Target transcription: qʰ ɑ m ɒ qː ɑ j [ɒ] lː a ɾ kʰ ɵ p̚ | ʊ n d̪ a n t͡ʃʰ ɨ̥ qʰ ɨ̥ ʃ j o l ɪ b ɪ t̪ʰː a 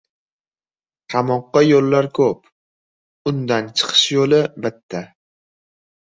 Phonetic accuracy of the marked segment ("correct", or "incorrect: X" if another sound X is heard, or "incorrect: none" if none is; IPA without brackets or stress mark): incorrect: o